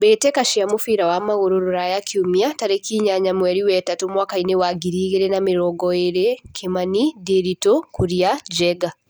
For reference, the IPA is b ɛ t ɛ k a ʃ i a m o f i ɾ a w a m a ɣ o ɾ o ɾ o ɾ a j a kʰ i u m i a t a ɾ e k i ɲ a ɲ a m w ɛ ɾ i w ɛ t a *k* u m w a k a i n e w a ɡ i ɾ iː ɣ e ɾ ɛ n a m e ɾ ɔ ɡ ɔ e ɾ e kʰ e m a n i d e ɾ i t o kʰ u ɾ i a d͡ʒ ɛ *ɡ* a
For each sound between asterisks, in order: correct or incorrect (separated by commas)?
incorrect, correct